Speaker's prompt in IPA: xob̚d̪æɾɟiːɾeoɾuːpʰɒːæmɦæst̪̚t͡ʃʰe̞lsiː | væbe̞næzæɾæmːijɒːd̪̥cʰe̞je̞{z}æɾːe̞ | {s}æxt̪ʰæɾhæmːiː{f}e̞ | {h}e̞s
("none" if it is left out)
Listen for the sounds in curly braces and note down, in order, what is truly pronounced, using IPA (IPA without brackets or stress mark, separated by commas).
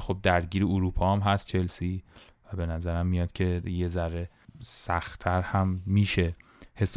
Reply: z, s, ʃ, h